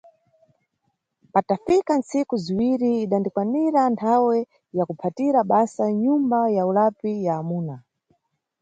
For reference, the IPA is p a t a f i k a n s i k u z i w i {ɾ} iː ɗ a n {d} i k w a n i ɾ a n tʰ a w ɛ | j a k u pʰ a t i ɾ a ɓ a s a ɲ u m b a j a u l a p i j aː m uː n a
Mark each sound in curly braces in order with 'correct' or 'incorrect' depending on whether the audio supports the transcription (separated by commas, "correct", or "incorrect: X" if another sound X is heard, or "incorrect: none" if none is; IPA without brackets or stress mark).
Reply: correct, correct